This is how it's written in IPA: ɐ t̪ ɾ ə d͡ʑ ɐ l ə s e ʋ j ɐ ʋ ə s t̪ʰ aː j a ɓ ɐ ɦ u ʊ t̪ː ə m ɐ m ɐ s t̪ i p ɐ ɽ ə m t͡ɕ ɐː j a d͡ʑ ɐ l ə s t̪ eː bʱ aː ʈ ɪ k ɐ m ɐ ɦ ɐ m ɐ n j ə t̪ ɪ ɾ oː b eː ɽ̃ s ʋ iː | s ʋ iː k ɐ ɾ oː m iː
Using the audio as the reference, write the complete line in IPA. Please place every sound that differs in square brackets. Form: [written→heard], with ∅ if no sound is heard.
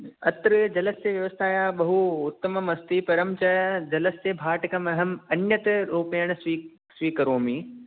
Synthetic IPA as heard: ɐ t̪ ɾ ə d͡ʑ ɐ l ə s e ʋ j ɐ ʋ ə s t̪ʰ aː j a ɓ ɐ ɦ u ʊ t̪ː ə m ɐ m ɐ s t̪ i p ɐ [ɽ→ɾ] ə m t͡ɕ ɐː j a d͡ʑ ɐ l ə s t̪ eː bʱ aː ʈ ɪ k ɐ m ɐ ɦ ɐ m ɐ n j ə t̪ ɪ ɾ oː [b→p] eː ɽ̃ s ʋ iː | s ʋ iː k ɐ ɾ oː m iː